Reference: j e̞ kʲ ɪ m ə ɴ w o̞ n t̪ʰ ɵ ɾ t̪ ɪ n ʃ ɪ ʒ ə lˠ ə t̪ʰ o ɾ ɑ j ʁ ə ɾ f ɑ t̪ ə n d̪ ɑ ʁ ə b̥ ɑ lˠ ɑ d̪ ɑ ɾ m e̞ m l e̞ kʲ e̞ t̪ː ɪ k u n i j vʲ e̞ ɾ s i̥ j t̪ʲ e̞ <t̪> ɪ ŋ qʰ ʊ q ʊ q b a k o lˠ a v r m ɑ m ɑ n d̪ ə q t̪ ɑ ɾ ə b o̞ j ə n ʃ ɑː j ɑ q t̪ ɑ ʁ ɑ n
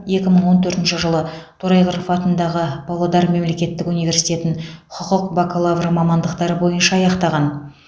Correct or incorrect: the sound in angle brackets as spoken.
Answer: correct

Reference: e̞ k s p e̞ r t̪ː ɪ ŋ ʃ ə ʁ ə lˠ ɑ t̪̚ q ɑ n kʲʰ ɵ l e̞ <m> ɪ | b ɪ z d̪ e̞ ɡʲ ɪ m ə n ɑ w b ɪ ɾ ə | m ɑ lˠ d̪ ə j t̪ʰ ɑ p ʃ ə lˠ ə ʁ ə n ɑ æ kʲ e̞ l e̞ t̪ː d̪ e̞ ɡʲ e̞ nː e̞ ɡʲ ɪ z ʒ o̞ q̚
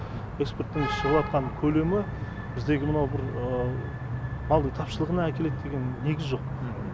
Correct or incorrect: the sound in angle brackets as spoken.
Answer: correct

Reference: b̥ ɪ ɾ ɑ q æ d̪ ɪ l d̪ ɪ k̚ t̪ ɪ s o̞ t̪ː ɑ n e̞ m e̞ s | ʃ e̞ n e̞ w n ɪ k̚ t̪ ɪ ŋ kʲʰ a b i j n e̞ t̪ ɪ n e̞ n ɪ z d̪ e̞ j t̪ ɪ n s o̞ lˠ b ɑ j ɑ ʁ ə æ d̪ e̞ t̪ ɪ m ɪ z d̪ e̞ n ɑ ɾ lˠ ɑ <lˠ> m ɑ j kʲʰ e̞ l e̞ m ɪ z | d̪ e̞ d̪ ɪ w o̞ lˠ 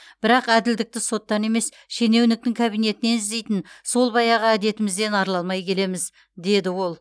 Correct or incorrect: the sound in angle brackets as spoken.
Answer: correct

